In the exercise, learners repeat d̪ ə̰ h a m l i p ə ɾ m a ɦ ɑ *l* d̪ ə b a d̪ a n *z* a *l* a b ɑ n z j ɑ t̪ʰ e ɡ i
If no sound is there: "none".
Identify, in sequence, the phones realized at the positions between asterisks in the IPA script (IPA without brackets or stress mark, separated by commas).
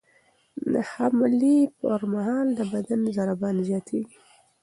l, z, ɾ